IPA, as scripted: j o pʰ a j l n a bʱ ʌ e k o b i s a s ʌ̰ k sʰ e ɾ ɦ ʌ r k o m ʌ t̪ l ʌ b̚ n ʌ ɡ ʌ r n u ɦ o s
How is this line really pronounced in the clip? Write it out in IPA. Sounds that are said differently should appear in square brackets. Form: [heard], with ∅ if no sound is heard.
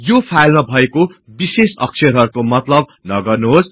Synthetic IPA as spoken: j o pʰ a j l [m] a bʱ ʌ e k o b i s [e] s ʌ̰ k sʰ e ɾ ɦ ʌ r k o m ʌ t̪ l ʌ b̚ n ʌ ɡ ʌ r n u ɦ o s